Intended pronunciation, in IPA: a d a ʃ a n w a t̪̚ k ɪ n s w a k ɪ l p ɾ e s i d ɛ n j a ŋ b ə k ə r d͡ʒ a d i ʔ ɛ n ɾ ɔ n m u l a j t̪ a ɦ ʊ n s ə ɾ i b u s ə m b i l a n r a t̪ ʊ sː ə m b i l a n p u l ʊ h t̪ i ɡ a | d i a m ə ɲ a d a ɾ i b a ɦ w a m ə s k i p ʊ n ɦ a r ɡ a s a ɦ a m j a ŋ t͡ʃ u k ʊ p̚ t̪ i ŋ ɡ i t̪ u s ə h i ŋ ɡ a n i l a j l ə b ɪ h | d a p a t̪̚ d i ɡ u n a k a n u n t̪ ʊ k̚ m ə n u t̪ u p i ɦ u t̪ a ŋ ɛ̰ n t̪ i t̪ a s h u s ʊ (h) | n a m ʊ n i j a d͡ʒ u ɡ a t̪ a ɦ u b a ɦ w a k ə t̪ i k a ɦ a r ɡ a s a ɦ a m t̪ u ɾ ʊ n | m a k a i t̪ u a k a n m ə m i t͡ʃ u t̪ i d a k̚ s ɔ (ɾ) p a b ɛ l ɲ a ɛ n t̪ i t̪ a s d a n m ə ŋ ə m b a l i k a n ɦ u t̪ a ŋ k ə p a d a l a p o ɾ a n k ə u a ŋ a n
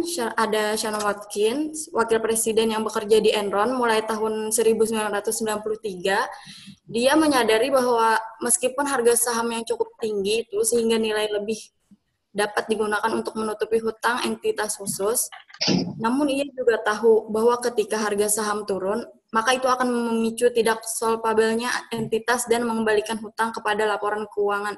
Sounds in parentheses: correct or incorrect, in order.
incorrect: s, incorrect: l

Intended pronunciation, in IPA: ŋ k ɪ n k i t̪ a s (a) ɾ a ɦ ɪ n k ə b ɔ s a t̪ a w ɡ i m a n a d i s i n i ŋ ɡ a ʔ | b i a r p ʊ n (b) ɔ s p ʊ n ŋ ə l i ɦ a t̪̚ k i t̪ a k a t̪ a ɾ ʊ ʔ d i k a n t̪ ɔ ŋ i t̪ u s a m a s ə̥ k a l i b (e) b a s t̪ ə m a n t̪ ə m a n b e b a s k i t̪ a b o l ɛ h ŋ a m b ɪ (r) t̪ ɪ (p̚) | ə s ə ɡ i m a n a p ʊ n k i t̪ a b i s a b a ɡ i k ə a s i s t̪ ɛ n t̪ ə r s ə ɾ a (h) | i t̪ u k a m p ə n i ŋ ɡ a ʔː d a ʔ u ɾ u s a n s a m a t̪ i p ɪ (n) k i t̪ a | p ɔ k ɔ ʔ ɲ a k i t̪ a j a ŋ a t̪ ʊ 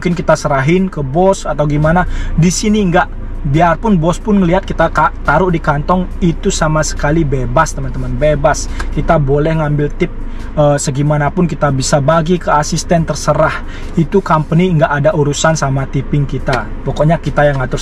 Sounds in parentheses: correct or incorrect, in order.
incorrect: ə, correct, correct, incorrect: l, correct, correct, incorrect: ŋ

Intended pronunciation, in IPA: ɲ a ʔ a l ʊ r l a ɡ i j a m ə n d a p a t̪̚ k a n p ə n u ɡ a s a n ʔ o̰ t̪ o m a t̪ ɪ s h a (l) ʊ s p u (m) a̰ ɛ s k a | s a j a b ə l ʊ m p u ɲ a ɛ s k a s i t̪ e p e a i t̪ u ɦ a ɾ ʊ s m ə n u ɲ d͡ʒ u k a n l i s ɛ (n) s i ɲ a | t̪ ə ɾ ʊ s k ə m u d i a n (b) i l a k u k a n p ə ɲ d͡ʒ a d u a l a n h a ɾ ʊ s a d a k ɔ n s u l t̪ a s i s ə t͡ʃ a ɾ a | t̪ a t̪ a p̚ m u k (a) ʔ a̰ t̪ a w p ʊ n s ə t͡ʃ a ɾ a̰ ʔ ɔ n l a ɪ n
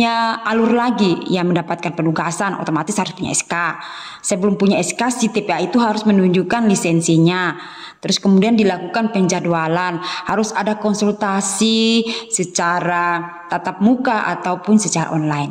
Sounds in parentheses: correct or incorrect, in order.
incorrect: ɾ, incorrect: ɲ, correct, incorrect: d, correct

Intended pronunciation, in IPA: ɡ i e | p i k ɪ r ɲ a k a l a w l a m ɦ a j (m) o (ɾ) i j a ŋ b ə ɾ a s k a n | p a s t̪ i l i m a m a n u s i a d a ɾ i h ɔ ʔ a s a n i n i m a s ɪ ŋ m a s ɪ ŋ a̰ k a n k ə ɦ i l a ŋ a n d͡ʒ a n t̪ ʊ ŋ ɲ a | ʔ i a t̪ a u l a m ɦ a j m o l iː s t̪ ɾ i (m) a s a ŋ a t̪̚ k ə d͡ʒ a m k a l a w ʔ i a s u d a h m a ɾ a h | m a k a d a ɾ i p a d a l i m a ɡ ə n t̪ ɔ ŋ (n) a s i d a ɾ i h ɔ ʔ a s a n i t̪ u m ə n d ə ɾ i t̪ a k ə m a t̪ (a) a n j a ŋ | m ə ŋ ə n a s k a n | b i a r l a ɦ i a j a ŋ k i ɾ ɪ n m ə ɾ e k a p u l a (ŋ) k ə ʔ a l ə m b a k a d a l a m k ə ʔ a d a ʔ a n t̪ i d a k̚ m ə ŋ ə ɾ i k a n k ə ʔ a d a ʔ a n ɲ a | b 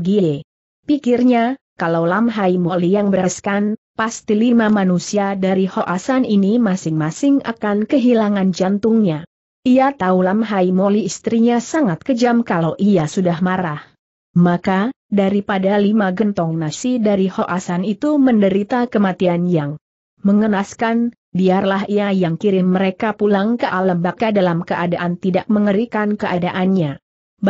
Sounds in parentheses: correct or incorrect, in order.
correct, incorrect: l, incorrect: ɲ, correct, incorrect: i, correct

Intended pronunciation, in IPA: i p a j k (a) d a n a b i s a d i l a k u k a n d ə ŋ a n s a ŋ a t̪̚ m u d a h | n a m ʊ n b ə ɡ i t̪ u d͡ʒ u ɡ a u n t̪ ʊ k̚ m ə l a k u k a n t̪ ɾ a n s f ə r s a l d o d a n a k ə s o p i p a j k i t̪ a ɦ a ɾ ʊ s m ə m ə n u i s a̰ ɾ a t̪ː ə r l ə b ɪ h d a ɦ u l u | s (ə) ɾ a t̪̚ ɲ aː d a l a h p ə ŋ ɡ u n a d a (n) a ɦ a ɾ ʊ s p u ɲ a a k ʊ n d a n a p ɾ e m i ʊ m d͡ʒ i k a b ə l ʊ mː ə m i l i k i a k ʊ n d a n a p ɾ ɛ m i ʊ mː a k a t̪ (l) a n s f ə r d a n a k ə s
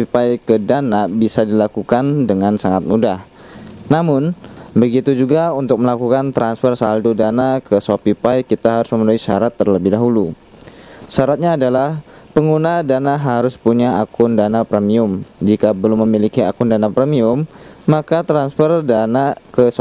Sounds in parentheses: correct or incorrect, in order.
incorrect: ə, incorrect: a, correct, incorrect: ɾ

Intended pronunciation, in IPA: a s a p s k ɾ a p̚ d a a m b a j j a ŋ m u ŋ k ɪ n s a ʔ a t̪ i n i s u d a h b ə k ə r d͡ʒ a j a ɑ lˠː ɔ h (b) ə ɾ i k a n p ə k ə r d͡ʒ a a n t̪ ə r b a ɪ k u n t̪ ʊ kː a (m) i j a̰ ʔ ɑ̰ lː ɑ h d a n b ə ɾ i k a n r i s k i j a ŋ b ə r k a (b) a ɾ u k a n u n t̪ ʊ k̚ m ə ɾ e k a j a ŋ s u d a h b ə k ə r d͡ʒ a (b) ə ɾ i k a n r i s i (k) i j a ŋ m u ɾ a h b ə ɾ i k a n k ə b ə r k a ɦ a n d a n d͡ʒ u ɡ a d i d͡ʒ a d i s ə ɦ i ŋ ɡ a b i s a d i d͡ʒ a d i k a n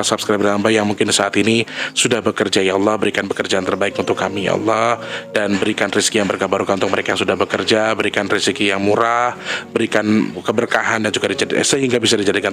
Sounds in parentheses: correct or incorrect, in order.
correct, correct, correct, correct, correct

